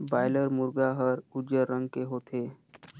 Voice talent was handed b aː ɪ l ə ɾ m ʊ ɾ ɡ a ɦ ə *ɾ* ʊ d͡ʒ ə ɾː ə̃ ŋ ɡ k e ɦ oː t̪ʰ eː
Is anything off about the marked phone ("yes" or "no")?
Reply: no